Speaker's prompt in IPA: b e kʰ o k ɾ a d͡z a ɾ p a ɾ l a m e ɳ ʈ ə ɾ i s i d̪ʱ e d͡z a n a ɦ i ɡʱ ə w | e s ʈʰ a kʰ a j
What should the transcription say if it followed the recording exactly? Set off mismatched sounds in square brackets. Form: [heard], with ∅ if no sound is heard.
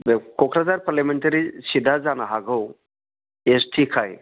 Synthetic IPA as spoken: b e [k] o k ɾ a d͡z a ɾ p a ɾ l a m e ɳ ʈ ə ɾ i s i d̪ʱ [a] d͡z a n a ɦ [a] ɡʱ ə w | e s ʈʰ [i] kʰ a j